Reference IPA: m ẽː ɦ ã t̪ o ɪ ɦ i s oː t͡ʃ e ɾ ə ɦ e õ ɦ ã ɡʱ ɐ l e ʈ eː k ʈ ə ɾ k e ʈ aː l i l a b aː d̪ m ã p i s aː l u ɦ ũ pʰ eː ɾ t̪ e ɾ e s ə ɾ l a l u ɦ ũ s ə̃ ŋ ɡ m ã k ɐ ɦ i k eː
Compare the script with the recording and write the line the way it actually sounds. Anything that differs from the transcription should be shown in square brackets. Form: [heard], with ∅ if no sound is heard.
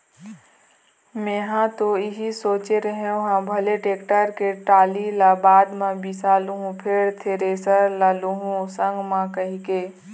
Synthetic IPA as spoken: m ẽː ɦ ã t̪ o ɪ ɦ i s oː t͡ʃ e ɾ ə ɦ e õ ɦ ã [bʱ] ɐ l e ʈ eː k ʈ ə ɾ k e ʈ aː l i l a b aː d̪ m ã [b] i s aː l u ɦ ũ pʰ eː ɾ [t̪ʰ] e ɾ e s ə ɾ l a l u ɦ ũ s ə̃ ŋ ɡ m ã k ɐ ɦ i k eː